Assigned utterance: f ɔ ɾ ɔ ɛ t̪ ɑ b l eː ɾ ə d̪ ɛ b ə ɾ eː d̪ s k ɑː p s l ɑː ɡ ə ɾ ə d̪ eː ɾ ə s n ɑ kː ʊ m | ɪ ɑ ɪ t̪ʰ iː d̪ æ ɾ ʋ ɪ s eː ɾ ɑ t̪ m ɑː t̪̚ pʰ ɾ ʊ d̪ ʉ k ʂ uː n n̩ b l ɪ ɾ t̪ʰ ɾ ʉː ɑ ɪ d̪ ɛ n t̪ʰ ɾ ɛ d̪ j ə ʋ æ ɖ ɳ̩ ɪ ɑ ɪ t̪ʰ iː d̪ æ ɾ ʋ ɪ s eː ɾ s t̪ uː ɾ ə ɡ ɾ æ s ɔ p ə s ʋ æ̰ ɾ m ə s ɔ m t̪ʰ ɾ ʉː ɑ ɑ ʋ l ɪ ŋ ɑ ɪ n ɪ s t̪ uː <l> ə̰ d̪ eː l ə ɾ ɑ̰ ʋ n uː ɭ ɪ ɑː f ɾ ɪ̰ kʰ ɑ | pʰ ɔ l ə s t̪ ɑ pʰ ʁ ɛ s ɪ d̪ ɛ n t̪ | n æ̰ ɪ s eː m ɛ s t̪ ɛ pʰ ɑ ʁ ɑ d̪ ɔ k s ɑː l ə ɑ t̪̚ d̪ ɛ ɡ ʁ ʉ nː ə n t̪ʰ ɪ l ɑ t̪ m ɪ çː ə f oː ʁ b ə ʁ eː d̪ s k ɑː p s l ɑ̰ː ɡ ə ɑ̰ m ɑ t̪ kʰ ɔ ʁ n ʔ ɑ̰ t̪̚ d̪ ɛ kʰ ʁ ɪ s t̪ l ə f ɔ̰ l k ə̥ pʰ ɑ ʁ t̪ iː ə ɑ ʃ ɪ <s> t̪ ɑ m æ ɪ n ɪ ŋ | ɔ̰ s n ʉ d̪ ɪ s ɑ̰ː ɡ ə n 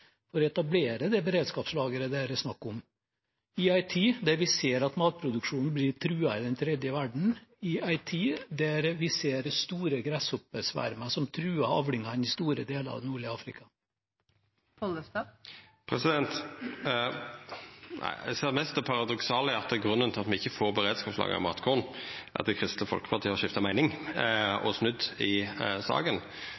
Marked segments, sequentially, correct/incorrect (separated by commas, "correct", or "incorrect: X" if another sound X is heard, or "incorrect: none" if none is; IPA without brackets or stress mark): incorrect: ɾ, incorrect: f